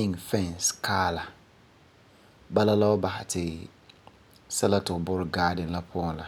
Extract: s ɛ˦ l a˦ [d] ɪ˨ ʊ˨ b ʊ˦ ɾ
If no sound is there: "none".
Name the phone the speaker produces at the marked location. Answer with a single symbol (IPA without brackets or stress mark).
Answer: t